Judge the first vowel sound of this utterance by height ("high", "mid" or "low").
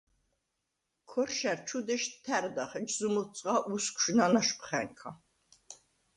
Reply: mid